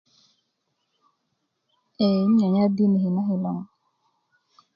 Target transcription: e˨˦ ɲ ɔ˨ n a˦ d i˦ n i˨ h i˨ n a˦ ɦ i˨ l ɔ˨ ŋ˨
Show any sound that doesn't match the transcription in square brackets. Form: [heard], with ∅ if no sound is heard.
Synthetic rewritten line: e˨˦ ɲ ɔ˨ [ɲ] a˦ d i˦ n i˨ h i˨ n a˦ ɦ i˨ l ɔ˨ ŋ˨